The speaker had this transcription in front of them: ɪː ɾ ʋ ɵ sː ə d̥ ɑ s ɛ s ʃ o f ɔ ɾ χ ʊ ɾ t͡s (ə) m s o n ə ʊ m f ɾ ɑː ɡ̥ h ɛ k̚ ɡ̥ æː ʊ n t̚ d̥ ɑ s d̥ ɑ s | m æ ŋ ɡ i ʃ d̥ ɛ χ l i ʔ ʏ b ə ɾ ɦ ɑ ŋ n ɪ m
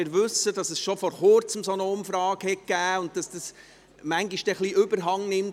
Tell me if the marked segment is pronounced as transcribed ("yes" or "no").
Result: yes